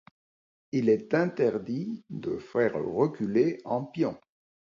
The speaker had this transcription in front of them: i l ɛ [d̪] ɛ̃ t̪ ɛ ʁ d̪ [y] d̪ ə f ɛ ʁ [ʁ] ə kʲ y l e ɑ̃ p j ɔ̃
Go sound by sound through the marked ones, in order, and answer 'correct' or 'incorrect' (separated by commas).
incorrect, incorrect, correct